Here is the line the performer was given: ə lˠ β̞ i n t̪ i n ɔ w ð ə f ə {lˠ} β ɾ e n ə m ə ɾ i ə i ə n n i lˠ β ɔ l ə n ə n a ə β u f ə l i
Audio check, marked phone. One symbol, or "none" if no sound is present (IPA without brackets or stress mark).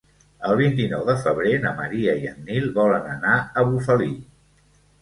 none